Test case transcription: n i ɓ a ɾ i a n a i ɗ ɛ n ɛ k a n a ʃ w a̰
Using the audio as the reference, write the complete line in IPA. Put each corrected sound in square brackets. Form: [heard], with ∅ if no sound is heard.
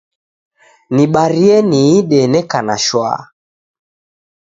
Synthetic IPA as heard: n i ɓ a ɾ i [ɛ] n [i] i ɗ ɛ n ɛ k a n a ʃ w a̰